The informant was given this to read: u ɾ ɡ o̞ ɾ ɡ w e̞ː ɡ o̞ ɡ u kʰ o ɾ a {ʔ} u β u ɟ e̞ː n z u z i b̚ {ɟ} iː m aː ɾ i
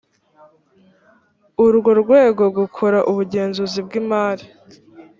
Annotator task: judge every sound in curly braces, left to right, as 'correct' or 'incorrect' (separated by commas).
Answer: correct, incorrect